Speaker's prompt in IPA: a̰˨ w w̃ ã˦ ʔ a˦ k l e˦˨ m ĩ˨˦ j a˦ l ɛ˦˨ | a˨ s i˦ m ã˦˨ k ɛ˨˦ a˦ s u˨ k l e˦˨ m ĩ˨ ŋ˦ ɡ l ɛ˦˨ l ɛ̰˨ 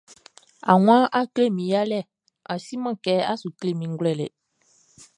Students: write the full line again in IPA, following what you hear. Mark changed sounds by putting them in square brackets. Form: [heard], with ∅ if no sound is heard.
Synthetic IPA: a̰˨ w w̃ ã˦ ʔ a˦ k l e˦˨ m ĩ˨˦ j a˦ l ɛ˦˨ | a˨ s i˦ m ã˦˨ k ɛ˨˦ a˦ s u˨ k l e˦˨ m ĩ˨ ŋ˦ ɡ l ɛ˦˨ l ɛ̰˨